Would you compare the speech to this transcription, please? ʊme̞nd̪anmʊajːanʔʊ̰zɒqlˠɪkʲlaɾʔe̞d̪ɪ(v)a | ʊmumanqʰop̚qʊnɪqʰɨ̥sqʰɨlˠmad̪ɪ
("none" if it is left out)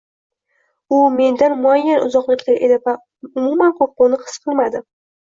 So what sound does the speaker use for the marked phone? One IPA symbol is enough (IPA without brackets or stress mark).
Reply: v